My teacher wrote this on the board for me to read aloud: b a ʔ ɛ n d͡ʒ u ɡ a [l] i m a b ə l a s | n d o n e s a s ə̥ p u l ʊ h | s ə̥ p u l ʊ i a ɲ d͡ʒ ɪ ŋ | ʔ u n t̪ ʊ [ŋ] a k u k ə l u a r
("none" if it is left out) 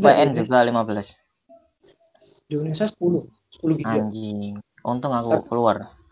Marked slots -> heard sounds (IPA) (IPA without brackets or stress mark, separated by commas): l, ŋ